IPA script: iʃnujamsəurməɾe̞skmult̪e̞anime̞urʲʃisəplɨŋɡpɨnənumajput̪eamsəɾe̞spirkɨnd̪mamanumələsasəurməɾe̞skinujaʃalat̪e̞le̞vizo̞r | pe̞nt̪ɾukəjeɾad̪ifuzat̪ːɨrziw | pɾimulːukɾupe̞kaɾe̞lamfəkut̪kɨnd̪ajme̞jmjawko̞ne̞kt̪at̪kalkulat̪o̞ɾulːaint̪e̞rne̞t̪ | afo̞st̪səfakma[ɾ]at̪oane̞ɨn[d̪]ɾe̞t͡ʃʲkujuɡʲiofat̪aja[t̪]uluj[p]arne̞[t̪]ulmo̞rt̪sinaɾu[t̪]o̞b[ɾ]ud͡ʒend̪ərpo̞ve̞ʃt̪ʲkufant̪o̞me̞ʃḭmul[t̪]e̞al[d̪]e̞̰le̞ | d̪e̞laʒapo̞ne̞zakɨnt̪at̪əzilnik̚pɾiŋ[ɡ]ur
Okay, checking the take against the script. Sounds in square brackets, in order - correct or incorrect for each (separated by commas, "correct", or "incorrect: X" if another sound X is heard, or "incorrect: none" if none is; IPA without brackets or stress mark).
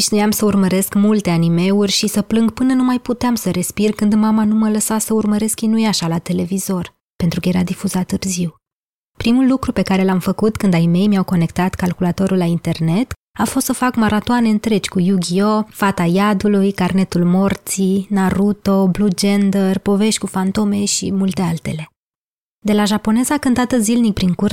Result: correct, incorrect: t̪, incorrect: d̪, incorrect: k, correct, correct, incorrect: l, correct, incorrect: t̪, incorrect: k